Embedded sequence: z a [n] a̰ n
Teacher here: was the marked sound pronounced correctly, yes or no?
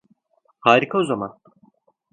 no